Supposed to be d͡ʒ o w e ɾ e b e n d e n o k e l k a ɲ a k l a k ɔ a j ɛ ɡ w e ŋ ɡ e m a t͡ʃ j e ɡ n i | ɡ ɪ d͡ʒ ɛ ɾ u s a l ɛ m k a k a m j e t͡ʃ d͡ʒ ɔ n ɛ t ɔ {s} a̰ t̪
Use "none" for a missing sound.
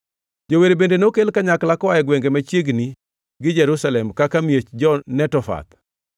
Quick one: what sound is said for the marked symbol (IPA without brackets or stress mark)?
f